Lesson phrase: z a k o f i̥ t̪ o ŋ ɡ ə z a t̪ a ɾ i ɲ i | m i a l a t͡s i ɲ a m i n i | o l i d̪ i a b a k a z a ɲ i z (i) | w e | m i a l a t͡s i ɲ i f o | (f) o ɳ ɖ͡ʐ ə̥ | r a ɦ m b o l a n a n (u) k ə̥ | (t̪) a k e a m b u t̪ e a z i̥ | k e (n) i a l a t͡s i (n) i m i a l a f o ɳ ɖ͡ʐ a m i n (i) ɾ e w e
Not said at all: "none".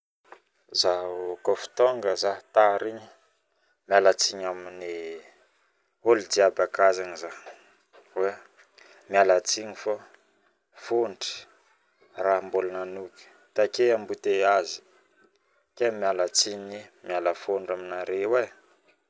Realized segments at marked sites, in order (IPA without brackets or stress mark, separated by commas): a, f, u, t̪, m, ɲ, a